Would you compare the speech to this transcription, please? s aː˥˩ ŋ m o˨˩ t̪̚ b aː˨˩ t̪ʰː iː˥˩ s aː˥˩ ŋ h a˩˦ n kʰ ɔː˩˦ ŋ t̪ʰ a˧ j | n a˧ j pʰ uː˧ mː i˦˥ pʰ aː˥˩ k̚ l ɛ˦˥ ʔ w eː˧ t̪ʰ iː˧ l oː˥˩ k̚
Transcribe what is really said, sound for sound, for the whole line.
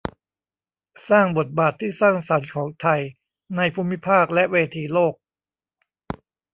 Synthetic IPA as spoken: s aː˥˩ ŋ b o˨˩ t̪̚ b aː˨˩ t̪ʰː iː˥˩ s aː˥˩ ŋ s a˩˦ n kʰ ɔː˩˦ ŋ t̪ʰ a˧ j | n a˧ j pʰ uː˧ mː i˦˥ pʰ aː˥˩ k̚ l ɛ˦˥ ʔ w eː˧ t̪ʰ iː˧ l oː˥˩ k̚

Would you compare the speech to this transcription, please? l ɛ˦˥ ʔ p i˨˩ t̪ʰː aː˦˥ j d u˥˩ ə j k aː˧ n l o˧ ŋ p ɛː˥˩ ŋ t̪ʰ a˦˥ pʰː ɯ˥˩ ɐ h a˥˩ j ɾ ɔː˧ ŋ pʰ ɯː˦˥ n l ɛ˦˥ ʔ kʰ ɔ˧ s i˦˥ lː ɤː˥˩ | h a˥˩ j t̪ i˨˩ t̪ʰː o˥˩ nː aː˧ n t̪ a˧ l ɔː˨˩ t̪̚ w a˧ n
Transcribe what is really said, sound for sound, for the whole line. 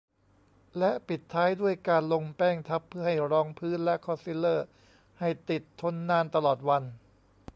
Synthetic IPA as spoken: l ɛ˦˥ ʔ p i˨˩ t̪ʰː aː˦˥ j d u˥˩ ə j k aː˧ n l o˧ ŋ p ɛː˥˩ ŋ t̪ʰ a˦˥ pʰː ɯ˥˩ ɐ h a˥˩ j ɾ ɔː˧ ŋ pʰ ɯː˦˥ n l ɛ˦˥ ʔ kʰ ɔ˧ s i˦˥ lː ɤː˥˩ | h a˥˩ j t̪ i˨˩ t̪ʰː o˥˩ nː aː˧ n t̪ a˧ l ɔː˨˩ t̪̚ w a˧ n

